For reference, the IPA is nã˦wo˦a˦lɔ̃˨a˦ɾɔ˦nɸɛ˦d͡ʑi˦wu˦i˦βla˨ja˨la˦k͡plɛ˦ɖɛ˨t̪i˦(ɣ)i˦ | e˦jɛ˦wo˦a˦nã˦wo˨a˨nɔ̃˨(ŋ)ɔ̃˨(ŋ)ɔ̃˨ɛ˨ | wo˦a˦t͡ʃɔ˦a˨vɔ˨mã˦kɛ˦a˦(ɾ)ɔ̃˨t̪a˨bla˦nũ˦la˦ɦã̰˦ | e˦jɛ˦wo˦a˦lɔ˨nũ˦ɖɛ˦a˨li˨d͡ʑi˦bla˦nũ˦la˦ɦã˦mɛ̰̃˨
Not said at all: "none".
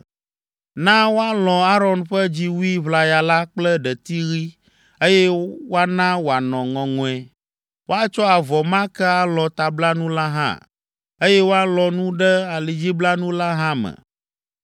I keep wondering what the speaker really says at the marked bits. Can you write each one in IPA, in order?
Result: ɣ, ŋ, ŋ, l

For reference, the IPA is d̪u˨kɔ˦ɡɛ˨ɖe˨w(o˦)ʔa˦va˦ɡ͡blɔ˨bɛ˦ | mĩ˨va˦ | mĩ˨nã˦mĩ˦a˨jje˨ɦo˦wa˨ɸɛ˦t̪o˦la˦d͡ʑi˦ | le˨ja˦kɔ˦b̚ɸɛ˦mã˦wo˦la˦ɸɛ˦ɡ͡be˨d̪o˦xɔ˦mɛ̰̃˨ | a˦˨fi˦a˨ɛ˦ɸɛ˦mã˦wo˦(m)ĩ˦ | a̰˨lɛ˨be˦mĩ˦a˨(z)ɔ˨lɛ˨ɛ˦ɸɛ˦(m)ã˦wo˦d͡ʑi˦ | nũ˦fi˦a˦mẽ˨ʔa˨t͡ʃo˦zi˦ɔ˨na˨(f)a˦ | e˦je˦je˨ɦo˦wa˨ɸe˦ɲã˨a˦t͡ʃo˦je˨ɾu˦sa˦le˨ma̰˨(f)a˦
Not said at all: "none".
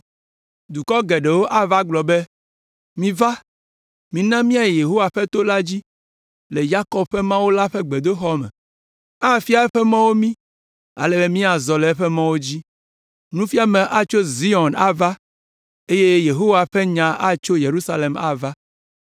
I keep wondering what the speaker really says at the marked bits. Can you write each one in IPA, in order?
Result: o˦, m, z, m, v, v

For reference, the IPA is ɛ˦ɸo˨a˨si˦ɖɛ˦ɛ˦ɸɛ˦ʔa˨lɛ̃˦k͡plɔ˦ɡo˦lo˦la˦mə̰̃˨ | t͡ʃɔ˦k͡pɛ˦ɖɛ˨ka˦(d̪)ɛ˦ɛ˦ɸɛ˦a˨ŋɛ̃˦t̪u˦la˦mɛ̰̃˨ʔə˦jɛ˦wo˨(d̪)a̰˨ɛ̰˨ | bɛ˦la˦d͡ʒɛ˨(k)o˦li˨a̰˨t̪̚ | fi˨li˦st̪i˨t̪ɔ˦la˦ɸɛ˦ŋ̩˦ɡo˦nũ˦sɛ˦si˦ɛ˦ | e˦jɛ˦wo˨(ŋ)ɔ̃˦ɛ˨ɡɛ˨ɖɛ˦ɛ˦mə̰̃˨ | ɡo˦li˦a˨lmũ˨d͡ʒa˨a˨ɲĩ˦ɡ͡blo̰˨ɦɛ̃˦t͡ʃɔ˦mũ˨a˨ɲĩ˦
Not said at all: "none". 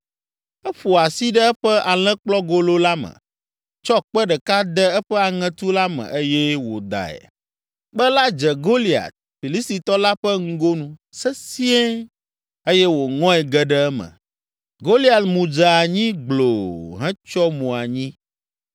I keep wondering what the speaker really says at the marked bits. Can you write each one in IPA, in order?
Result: d̪, d̪, ɡ, ŋ

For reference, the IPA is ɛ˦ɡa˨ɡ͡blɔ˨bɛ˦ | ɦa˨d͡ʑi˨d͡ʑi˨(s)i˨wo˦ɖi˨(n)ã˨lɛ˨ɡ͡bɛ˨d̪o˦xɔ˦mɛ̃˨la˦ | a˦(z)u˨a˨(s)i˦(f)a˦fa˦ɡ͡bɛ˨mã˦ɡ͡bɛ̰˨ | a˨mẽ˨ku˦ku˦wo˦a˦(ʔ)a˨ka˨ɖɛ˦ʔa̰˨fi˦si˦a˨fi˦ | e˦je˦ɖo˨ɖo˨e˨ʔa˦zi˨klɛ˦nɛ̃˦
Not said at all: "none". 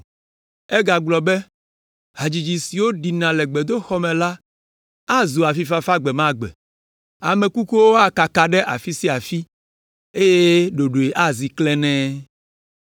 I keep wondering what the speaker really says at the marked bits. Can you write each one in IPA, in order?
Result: s, n, z, f, f, k

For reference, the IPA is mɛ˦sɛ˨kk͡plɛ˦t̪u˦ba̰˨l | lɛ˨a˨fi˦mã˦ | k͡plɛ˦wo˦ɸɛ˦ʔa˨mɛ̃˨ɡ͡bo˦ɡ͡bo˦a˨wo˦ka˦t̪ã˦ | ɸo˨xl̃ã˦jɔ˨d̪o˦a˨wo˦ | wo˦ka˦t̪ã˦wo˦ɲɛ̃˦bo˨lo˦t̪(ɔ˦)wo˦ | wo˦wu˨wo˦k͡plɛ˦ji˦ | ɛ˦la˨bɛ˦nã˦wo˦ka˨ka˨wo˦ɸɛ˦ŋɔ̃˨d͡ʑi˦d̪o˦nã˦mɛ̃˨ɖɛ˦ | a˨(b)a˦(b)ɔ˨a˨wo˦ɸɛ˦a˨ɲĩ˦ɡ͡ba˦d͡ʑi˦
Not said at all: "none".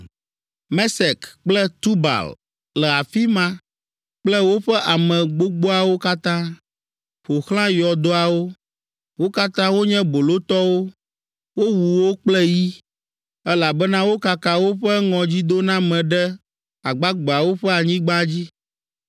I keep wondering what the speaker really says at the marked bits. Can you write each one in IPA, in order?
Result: ɔ˦, ɡ͡b, ɡ͡b

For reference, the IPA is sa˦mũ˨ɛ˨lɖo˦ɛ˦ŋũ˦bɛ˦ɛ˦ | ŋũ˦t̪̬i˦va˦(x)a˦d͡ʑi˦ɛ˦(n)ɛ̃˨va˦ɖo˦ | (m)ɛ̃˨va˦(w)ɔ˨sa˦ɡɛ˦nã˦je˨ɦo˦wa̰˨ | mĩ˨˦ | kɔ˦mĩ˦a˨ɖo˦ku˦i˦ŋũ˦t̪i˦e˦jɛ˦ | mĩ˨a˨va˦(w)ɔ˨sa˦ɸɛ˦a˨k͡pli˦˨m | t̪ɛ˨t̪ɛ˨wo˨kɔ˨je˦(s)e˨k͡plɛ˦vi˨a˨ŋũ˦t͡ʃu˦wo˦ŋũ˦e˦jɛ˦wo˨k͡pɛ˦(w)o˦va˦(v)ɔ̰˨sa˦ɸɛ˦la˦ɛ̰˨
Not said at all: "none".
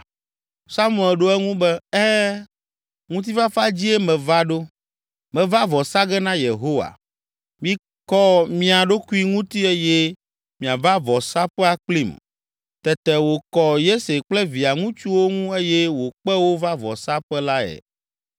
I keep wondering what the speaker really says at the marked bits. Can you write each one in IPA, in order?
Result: f, m, m, v, v, s, w, v

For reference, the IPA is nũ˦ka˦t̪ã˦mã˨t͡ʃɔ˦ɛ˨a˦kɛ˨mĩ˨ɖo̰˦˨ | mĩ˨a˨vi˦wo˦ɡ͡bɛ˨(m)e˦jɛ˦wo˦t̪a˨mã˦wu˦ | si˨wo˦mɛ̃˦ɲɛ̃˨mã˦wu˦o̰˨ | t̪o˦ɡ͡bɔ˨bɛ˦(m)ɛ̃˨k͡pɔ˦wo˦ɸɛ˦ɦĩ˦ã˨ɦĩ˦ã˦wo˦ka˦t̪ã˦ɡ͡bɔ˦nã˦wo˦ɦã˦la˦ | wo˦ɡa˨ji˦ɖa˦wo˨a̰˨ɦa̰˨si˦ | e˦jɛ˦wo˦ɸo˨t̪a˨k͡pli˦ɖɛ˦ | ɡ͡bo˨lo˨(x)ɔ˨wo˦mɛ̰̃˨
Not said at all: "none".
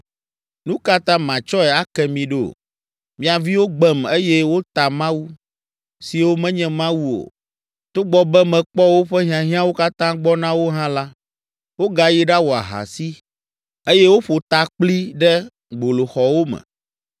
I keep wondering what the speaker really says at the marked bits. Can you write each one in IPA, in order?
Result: m, m, x

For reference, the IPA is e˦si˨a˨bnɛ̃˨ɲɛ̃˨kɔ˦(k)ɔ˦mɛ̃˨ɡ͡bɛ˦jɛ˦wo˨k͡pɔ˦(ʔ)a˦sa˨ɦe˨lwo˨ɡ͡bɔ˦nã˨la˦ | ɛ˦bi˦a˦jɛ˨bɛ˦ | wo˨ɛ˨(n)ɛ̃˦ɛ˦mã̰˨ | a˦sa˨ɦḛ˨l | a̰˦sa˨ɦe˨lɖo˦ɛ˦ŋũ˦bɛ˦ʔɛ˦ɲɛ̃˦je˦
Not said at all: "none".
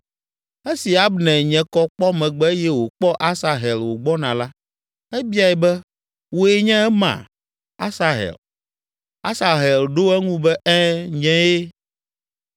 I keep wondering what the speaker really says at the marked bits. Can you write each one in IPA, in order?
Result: k͡p, ʔ, ɲ

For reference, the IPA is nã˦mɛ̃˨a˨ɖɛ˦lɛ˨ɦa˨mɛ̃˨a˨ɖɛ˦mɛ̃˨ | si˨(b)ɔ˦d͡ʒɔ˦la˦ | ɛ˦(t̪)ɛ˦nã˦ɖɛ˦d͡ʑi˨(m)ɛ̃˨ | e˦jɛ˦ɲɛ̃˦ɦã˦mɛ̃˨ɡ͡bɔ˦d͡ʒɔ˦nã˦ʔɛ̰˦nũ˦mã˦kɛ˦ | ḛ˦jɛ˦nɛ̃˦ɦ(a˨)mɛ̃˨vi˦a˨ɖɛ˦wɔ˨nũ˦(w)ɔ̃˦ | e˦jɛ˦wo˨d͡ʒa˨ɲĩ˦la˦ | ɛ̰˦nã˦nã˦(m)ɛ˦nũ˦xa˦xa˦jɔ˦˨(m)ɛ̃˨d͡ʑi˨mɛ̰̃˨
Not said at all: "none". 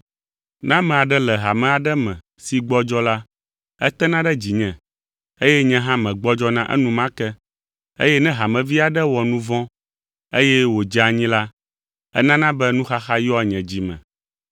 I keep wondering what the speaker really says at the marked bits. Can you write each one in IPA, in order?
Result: ɡ͡b, t̪, ɲ, a˨, v, b, ɲ

